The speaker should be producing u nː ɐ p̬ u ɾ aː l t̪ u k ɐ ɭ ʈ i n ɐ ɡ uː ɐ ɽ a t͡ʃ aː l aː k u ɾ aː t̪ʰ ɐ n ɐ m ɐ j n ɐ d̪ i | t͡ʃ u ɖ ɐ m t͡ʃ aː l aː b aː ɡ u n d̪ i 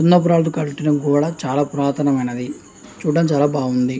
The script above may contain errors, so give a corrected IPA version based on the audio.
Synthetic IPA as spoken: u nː ɐ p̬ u ɾ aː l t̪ u k ɐ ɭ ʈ i n ɐ ɡ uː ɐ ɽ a t͡ʃ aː l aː p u ɾ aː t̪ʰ ɐ n ɐ m ɐ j n ɐ d̪ i | t͡ʃ uː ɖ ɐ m t͡ʃ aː l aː b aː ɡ u n d̪ i

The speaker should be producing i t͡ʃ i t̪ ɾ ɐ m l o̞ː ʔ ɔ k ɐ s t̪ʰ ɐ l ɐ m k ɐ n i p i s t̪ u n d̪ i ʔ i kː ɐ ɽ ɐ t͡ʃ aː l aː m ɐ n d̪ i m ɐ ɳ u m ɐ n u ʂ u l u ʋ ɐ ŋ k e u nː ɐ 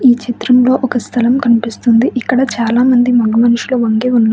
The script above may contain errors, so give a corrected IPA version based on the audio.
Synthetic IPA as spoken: iː t͡ʃ i t̪ ɾ ɐ m l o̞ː ʔ ɔ k ɐ s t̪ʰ ɐ l ɐ m k ɐ n i p i s t̪ u n d̪ i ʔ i kː ɐ ɽ ɐ t͡ʃ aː l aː m ɐ n d̪ i m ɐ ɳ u m ɐ n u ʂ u l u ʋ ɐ ŋ ɡ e u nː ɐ

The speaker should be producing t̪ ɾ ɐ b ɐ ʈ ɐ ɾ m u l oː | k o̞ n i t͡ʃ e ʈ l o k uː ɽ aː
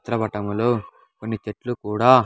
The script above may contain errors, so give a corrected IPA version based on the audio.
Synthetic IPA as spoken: t̪ ɾ ɐ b ɐ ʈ ɐ m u l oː | k o̞ nː i t͡ʃ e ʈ l u k uː ɽ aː

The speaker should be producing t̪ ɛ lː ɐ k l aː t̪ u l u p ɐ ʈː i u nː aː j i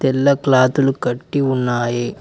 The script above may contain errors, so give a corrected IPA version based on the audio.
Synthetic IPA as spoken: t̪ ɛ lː ɐ k l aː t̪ u l u k ɐ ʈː i u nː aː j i

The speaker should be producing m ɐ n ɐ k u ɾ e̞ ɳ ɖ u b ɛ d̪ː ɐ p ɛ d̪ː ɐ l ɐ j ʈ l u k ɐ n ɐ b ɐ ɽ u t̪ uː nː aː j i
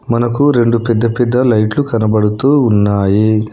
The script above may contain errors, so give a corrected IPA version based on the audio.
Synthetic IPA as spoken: m ɐ n ɐ k u ɾ e̞ ɳ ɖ u p ɛ d̪ː ɐ p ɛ d̪ː ɐ l ɐ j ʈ l u k ɐ n ɐ b ɐ ɽ u t̪ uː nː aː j i

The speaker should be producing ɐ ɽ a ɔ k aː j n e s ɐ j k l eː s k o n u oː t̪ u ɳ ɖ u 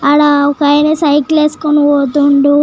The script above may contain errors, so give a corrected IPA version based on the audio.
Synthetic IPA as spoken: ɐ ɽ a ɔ k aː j n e s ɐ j k l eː s k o n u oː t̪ u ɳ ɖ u

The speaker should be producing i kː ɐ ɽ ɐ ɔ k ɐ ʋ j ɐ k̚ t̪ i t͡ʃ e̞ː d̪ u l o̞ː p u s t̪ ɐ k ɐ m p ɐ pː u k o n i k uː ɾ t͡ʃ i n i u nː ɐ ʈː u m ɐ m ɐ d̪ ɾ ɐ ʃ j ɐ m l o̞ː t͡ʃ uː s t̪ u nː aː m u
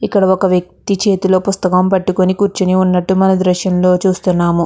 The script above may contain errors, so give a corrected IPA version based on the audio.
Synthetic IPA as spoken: i kː ɐ ɽ ɐ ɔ k ɐ ʋ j ɐ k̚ t̪ i t͡ʃ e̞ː t̪ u l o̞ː p u s t̪ ɐ k ɐ m p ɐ ʈː u k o n i k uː ɾ t͡ʃ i n i u nː ɐ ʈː u m ɐ n ɐ d̪ ɾ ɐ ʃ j ɐ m l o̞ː t͡ʃ uː s t̪ u nː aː m u

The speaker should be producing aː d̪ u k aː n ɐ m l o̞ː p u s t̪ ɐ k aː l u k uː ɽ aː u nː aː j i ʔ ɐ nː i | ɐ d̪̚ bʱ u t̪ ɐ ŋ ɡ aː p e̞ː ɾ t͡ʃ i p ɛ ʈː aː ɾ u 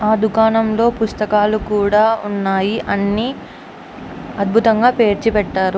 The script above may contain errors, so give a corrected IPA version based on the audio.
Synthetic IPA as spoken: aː d̪ u k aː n ɐ m l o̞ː p u s t̪ ɐ k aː l u k uː ɽ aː u nː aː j i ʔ ɐ nː i | ɐ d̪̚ bʱ u t̪ ɐ ŋ ɡ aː p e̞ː ɾ t͡ʃ i p ɛ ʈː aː ɾ u

